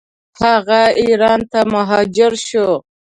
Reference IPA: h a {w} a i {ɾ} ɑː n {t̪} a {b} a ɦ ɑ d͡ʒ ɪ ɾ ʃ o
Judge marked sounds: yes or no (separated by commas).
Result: no, yes, yes, no